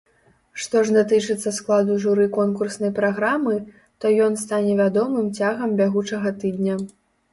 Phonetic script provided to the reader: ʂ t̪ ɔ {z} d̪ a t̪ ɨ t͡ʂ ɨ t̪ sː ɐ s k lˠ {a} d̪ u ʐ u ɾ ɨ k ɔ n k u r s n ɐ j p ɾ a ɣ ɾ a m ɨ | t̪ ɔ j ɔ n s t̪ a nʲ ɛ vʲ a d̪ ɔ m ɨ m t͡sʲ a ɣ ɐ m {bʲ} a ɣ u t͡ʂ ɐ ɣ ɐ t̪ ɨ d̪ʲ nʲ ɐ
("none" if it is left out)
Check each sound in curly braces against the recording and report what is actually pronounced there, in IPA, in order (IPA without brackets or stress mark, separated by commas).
ʐ, a, bʲ